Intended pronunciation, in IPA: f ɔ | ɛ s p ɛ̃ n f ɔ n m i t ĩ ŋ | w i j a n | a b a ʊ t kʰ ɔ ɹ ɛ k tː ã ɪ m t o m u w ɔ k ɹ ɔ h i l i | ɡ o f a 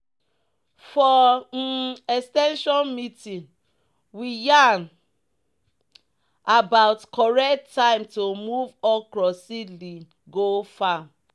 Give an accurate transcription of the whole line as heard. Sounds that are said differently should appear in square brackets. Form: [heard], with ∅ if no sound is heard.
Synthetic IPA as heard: f ɔ | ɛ s [t] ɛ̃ n [ʃ] ɔ n m i t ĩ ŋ | w i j a n | a b a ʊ t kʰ ɔ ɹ ɛ k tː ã ɪ m t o m u [v] ɔ k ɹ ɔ [s] i l i | ɡ o f a